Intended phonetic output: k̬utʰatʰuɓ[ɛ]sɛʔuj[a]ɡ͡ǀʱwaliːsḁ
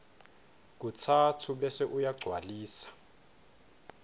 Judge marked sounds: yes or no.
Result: yes, yes

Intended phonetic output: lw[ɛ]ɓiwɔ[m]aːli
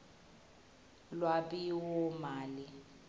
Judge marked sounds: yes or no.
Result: no, yes

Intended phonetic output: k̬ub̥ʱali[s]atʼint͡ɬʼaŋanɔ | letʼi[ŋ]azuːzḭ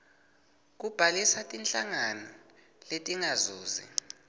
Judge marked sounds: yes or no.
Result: yes, yes

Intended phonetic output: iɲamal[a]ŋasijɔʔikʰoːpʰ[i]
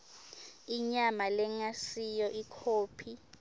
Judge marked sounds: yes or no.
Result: no, yes

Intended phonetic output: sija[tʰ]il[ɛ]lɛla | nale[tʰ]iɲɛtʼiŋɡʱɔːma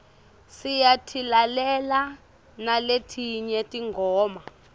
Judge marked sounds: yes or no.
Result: yes, no, yes

